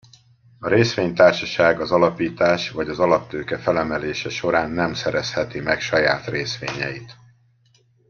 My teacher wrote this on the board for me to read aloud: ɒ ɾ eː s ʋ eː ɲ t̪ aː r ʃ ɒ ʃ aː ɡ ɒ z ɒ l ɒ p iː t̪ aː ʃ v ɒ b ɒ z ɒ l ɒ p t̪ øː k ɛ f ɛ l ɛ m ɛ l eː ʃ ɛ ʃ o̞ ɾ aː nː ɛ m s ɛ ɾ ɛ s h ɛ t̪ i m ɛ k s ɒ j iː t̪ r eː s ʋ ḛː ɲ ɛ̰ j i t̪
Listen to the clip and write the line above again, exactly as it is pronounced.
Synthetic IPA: ɒ ɾ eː s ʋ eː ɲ t̪ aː r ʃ ɒ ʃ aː ɡ ɒ z ɒ l ɒ p iː t̪ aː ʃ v ɒ ɟ ɒ z ɒ l ɒ p t̪ øː k ɛ f ɛ l ɛ m ɛ l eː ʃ ɛ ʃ o̞ ɾ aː nː ɛ m s ɛ ɾ ɛ s h ɛ t̪ i m ɛ k ʃ ɒ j aː t̪ r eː s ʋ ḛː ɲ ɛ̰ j i t̪